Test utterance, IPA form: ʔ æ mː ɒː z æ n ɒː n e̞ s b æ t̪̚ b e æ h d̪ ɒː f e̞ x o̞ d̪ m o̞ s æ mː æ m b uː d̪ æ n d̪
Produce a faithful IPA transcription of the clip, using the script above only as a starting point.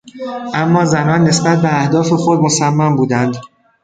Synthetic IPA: ʔ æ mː ɒː z æ n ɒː nː e̞ s b æ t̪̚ b e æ h d̪ ɒː f e̞ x o̞ d̪ m o̞ s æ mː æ m b uː d̪ æ n d̪

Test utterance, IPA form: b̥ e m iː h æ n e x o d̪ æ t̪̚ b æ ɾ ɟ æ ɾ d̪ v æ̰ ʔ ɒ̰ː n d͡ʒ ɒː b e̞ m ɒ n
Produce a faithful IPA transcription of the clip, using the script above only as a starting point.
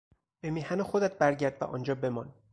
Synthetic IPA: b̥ e m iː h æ n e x o d̪ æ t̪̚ b æ ɾ ɟ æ ɾ d̪ v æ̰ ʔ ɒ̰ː n d͡ʒ ɒː b e̞ m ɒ n

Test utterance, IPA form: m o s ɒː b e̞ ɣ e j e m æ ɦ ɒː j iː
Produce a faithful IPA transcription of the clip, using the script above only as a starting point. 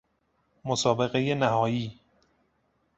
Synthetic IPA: m o s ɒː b e̞ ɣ e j e n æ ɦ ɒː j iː

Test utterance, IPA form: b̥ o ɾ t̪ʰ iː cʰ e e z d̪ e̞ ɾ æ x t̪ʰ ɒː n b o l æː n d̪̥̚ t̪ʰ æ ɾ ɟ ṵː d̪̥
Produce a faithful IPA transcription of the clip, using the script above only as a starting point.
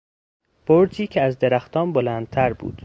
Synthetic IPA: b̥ o ɾ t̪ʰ iː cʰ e æ z d̪ e̞ ɾ æ x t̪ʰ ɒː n b o l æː n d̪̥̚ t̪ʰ æ ɾ b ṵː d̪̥

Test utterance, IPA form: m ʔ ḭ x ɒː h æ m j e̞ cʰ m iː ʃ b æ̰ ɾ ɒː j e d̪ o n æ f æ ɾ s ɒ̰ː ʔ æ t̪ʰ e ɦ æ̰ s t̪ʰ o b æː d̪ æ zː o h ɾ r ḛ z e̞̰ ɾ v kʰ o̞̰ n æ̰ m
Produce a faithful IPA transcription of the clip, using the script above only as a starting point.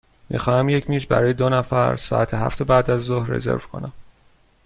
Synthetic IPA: m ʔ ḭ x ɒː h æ m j e̞ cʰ m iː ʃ b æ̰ ɾ ɒː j e d̪ o n æ f æ ɾ s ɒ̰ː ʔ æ t̪ʰ e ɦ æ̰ f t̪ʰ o b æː d̪ æ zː o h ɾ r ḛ z e̞̰ ɾ v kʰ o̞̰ n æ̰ m

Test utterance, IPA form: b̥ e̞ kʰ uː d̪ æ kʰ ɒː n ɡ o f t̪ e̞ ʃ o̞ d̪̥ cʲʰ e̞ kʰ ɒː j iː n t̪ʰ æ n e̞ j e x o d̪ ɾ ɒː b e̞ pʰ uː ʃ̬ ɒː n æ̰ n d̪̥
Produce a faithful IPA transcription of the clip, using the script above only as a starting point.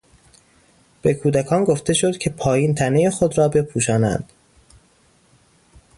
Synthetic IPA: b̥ e̞ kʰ uː d̪ æ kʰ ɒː n ɡ o f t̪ e̞ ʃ o̞ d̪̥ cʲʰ e̞ pʰ ɒː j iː n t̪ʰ æ n e̞ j e x o d̪ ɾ ɒː b e̞ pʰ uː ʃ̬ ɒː n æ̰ n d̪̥

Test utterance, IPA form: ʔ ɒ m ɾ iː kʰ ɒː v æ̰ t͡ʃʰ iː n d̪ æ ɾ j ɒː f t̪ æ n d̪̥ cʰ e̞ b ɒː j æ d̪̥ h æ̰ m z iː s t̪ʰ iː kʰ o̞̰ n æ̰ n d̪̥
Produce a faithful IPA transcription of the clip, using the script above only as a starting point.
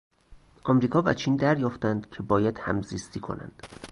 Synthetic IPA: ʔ ɒ m ɾ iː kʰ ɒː v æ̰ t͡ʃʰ iː n d̪ æ ɾ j ɒː f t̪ æ n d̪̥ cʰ e̞ b ɒː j æ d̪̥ h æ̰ m z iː s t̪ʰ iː kʰ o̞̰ n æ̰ n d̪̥

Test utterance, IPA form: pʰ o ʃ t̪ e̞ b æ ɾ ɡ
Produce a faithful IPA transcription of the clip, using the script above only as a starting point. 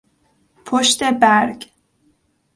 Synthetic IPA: pʰ o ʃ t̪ e̞ b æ ɾ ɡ

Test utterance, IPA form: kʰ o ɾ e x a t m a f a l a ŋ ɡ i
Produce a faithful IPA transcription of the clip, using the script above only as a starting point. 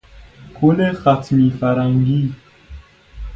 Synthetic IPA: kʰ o l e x a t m i f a ɾ a ŋ ɡ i

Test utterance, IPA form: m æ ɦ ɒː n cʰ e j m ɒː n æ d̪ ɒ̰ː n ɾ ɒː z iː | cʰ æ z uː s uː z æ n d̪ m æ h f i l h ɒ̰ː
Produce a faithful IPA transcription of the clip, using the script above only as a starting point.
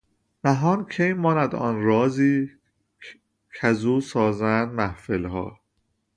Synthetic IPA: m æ ɦ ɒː n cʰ e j m ɒː n æ d̪ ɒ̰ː n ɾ ɒː z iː | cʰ æ z uː s ɒː z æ n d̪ m æ h f e l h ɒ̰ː

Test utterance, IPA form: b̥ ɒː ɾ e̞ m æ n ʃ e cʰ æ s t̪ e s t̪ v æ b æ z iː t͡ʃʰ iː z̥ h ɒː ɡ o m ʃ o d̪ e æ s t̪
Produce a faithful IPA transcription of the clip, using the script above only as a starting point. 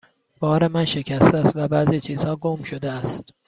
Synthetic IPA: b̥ ɒː ɾ e̞ m æ n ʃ e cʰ æ s t̪ æ s t̪ v æ b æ z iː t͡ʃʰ iː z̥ h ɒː ɡ o m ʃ o d̪ e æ s t̪

